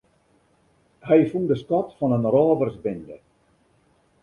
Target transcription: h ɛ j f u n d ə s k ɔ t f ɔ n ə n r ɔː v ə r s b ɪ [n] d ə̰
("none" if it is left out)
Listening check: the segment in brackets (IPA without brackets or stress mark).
n